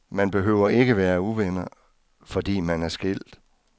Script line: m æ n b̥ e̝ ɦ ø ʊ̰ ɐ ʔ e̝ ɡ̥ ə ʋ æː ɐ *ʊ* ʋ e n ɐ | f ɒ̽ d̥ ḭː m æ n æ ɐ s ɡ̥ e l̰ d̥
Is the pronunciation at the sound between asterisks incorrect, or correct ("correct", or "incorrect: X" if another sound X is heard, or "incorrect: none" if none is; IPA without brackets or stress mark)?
incorrect: u